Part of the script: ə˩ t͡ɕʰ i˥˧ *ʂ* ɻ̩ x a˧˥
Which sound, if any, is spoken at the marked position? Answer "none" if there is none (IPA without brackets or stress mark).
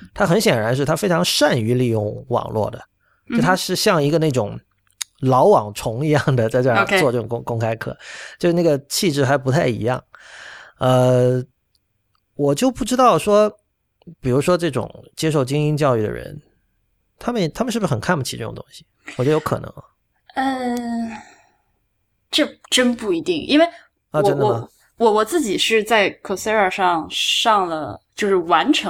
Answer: ʈ͡ʂ